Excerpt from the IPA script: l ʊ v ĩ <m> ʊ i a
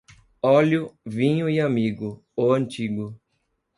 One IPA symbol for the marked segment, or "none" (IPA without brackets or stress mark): ɲ